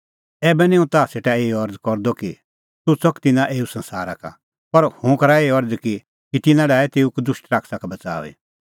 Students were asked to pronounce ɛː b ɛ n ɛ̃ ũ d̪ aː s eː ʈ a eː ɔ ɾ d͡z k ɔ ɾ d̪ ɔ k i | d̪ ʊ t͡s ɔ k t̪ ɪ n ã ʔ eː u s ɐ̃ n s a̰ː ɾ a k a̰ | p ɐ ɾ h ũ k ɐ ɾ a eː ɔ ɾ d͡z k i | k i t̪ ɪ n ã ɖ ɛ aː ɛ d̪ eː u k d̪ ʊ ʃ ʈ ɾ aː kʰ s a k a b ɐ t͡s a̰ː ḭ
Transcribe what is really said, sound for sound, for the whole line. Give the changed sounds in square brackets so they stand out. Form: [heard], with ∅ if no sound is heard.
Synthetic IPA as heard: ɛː b ɛ n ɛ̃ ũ [t̪] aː s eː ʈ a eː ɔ ɾ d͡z k ɔ ɾ d̪ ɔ k i | [t̪] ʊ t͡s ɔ k t̪ ɪ n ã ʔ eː u s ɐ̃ n s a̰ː ɾ a k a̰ | p ɐ ɾ h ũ k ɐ ɾ a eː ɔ ɾ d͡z k i | k i t̪ ɪ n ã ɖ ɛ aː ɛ [t̪] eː u k d̪ ʊ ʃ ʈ ɾ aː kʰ s a k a b ɐ t͡s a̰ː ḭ